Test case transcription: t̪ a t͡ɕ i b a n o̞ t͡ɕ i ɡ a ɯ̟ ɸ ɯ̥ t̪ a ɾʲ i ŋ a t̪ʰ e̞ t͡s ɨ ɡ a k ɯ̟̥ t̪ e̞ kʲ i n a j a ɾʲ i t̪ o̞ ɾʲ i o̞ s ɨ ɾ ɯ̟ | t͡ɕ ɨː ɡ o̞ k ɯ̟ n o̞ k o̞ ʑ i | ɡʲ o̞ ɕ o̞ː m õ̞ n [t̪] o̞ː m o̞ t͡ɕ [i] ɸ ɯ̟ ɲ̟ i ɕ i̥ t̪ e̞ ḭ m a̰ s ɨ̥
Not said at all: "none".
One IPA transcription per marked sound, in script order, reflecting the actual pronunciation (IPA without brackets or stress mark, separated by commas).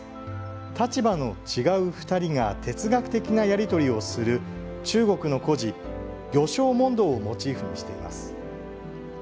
d̪, iː